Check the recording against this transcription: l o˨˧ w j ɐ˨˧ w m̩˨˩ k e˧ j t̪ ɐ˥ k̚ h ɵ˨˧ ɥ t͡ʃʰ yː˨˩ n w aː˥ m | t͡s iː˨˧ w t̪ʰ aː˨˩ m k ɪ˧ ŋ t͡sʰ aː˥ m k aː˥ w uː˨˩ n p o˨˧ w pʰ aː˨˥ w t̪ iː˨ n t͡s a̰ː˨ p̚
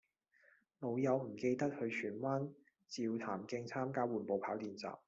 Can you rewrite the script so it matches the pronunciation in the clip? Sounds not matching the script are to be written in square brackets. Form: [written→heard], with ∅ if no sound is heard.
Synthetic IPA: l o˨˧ w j ɐ˨˧ w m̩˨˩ k e˧ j t̪ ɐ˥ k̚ h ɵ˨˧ ɥ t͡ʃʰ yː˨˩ n w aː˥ [m→n] | t͡s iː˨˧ w t̪ʰ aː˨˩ m k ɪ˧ ŋ t͡sʰ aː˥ m k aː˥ w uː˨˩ n p o˨˧ w pʰ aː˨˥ w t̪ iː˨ n t͡s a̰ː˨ p̚